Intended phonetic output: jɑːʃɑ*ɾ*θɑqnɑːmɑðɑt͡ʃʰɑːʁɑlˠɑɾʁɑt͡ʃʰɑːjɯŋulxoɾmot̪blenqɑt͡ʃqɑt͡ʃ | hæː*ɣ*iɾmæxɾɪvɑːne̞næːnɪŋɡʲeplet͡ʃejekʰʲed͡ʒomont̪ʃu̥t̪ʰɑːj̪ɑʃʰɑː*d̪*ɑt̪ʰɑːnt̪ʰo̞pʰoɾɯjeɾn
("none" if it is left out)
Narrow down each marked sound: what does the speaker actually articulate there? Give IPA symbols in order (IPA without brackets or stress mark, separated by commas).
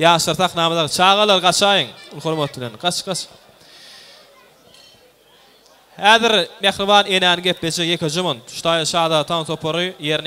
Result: ɾ, ð, d̪